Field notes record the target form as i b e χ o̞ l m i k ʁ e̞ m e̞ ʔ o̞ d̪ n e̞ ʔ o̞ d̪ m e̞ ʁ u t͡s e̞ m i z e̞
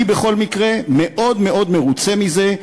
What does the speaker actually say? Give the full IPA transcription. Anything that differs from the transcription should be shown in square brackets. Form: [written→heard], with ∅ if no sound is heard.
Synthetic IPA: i b e χ o̞ l m i k ʁ e̞ m e̞ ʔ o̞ d̪ [n→m] e̞ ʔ o̞ d̪ m e̞ ʁ u t͡s e̞ m i z e̞